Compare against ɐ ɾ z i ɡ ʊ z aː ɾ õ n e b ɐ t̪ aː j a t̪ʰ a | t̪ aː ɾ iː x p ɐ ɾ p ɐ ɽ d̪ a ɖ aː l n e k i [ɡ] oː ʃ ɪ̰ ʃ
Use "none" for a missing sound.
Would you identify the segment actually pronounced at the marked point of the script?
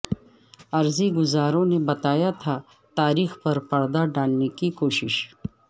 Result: k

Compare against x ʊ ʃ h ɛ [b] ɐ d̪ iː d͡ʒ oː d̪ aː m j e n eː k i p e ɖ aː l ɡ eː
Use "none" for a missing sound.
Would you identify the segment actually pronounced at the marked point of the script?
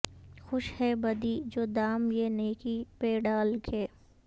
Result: b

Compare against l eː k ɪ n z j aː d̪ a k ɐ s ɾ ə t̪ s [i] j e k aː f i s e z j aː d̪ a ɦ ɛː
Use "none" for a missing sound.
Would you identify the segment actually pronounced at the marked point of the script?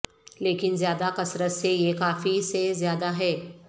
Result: e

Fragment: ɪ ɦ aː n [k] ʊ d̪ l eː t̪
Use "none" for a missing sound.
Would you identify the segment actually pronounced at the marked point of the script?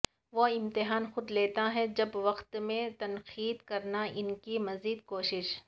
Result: x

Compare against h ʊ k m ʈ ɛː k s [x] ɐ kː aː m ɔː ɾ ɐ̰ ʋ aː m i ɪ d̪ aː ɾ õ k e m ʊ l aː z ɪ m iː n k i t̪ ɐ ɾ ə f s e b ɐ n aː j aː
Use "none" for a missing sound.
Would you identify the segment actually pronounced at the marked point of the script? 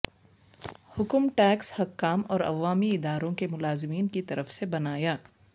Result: h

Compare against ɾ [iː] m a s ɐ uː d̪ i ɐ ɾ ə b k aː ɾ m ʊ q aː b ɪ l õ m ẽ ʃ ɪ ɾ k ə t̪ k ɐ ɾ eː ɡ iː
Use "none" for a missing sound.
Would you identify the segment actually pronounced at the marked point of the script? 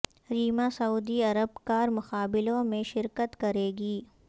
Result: iː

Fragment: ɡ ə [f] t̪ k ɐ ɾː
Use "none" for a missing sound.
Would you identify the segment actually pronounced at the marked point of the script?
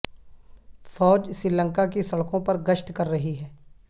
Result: ʃ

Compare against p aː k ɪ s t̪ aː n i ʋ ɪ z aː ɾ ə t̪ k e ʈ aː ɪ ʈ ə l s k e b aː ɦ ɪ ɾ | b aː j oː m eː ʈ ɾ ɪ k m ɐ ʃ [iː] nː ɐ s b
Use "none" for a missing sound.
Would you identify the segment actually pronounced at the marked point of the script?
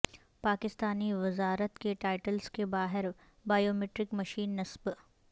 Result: iː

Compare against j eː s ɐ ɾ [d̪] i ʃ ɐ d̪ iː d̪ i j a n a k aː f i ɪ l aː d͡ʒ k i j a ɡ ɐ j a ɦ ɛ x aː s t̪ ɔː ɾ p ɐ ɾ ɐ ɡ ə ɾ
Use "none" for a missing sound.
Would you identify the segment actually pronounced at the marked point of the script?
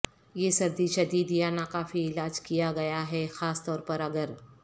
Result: d̪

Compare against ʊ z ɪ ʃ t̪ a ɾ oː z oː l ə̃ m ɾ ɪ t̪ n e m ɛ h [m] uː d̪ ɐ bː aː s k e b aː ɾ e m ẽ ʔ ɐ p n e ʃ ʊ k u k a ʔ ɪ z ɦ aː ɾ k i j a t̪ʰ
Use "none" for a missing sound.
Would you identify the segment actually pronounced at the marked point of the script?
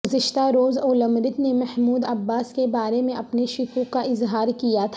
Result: m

